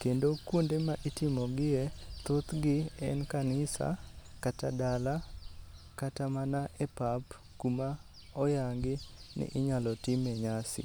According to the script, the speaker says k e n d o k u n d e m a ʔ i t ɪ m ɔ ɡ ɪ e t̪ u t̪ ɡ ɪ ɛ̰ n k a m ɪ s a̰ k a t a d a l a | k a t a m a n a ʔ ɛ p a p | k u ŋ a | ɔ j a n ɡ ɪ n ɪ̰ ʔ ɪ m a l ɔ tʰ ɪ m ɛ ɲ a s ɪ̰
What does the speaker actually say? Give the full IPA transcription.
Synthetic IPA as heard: k e n d o k u n d e m a ʔ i t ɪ m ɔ ɡ ɪ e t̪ o t̪ ɡ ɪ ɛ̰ n k a n ɪ s a̰ k a t a d a l a | k a t a m a n a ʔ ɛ p a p | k u m a | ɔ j a ŋ ɡ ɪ n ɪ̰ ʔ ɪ ɲ a l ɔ t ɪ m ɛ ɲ a s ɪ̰

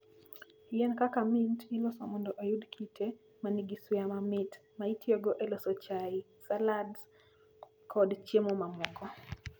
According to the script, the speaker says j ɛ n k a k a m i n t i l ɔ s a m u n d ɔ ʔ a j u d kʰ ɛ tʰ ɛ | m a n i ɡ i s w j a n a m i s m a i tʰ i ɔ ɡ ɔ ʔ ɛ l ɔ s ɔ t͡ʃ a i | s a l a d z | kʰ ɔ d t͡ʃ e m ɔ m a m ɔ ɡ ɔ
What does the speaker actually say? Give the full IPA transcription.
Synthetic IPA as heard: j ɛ n k a k a m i n t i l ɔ s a m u n d ɔ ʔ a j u d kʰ i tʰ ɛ | m a n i ɡ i s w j a m a m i t m a i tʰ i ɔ ɡ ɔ ʔ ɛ l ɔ s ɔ t͡ʃ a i | s a l a d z | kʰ ɔ d t͡ʃ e m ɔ m a m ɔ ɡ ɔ

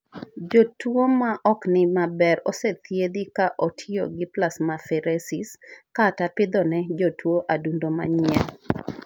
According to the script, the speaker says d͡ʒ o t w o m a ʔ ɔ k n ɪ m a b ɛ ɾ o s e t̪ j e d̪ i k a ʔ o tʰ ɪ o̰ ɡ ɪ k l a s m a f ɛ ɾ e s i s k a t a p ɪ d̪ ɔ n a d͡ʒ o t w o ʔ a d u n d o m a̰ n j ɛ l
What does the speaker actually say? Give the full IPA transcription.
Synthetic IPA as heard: d͡ʒ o t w o m a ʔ ɔ k n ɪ m a b ɛ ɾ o s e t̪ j e d̪ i k a ʔ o tʰ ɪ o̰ ɡ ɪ p l a s m a f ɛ ɾ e s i s k a t a p ɪ d̪ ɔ n ɛ d͡ʒ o t w o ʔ a d u n d o m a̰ ɲ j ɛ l

